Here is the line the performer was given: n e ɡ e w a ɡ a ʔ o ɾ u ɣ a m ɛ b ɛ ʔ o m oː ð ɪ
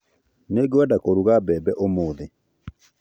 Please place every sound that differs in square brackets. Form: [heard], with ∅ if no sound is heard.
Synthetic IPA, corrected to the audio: n e ɡ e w a [d] a [k] o ɾ u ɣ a [b] ɛ b ɛ ʔ o m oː ð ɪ